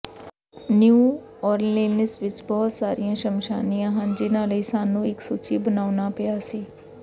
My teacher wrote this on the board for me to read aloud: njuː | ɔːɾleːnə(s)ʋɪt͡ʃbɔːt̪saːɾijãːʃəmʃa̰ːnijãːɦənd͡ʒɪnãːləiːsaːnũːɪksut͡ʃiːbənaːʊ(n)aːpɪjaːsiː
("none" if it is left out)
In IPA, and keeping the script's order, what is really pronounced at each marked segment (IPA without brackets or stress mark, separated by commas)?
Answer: s, n